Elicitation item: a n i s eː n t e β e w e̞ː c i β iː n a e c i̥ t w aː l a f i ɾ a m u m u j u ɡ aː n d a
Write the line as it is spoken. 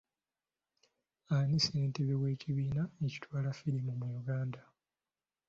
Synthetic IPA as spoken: a n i s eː n t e β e w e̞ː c i β iː n a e c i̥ t w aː l a f i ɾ i m u m u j u ɡ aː n d a